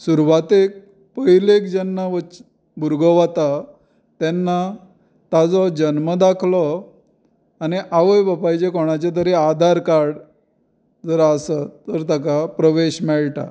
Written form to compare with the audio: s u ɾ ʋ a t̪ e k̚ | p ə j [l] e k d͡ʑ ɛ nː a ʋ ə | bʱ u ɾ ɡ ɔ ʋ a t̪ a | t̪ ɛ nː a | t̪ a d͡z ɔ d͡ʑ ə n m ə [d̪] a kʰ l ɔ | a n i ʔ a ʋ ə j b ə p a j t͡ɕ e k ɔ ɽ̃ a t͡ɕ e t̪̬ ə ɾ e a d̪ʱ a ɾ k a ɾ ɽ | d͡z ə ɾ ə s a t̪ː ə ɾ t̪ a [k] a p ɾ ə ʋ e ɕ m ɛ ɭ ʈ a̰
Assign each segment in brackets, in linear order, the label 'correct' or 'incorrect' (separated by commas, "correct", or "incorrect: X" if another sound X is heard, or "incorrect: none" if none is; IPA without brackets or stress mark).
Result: correct, correct, correct